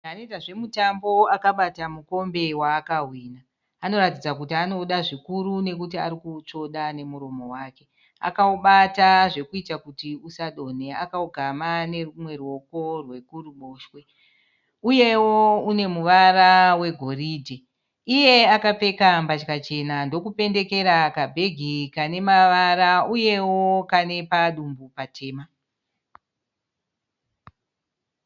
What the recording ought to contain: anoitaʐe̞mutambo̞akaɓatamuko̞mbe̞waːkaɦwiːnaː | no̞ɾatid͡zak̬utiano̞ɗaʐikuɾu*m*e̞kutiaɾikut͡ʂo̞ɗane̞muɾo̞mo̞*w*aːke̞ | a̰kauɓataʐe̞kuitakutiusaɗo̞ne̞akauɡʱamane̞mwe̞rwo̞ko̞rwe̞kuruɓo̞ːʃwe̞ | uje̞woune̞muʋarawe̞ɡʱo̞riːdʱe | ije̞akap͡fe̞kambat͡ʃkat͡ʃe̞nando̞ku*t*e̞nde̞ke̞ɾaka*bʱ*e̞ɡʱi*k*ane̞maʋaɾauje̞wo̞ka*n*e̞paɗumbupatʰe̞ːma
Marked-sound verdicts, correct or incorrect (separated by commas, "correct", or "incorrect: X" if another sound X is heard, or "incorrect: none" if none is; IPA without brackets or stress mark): incorrect: n, correct, incorrect: p, correct, correct, correct